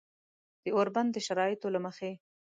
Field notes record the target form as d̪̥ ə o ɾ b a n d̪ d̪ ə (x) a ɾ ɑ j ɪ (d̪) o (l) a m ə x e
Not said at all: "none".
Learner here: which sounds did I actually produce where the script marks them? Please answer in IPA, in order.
ʃ, t̪, l

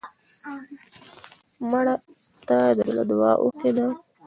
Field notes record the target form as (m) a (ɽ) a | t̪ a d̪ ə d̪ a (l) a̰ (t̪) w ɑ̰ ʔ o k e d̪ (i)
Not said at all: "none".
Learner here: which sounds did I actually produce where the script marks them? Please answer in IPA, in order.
m, ɽ, l, d̪, a

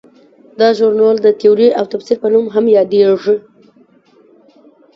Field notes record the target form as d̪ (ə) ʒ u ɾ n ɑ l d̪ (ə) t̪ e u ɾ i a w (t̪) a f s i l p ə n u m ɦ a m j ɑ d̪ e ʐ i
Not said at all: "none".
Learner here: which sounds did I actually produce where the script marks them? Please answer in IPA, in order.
ɑ, ə, t̪

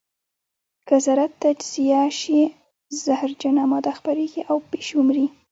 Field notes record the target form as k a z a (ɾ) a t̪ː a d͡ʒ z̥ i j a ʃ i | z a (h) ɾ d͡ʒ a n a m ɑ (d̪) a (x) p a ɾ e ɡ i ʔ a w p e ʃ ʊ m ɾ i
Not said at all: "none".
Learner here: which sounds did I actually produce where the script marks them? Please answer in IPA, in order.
ɾ, h, d̪, x

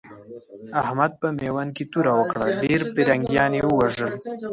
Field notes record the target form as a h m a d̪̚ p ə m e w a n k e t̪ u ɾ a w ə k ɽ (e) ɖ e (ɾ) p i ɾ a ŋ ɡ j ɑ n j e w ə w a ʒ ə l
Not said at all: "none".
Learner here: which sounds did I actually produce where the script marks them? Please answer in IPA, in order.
a, ɾ

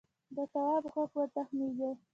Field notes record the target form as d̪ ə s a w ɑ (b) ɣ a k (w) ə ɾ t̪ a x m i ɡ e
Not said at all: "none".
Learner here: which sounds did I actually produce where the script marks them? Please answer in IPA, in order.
b, w

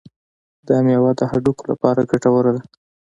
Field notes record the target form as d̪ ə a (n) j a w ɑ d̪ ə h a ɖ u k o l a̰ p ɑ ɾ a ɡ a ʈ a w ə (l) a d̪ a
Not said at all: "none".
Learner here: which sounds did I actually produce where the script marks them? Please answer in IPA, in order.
m, ɾ

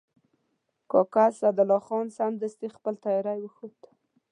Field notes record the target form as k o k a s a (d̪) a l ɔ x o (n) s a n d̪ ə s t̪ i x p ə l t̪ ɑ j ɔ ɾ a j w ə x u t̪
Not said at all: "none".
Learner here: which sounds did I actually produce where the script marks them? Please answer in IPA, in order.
d̪, n

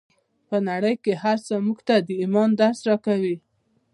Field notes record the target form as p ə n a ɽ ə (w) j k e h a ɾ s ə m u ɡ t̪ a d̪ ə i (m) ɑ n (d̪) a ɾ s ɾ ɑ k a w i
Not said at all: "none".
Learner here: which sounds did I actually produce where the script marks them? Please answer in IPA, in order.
none, m, d̪

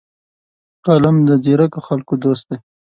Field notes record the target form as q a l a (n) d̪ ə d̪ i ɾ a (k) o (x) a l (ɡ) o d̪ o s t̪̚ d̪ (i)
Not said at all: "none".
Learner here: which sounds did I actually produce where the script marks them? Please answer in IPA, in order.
m, k, x, k, e

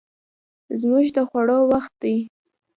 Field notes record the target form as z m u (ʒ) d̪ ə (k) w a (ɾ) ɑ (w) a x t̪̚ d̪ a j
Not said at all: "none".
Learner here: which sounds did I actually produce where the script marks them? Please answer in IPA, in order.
ʒ, x, ɽ, w

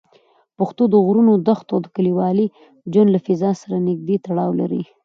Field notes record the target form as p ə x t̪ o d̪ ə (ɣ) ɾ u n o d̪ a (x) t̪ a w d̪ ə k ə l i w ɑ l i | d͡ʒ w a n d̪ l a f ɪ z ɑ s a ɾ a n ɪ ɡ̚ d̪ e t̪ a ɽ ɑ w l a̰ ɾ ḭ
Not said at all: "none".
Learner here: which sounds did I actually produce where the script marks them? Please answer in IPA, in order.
ɣ, x

